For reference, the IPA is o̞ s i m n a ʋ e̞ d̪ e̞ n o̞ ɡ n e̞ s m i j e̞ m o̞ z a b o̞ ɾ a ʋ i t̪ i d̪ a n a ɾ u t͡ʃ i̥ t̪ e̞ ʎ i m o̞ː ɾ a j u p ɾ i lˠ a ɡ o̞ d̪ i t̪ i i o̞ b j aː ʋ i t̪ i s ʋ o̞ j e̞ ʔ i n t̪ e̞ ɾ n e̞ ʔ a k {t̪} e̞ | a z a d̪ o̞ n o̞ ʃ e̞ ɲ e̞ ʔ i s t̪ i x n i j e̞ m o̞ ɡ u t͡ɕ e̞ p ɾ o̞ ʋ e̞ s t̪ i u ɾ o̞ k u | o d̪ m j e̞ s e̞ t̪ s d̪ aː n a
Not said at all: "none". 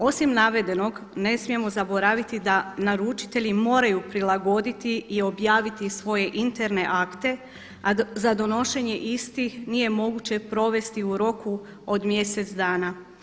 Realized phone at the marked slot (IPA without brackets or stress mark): t̪